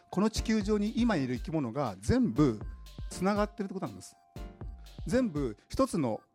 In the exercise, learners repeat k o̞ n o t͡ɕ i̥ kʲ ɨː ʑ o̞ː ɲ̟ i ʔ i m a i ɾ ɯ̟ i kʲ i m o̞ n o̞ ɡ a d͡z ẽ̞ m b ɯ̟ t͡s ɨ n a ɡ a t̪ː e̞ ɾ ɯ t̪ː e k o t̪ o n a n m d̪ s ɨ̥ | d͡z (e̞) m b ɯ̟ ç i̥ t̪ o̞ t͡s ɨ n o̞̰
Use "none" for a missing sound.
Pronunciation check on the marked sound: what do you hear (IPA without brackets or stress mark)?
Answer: ẽ̞